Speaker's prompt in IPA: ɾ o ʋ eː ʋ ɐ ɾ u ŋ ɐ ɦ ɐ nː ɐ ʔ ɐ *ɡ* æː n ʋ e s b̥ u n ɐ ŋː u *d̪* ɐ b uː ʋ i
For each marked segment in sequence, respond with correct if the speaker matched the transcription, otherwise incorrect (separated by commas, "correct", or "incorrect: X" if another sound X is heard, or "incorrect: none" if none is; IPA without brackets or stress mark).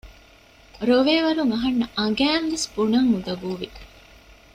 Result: correct, correct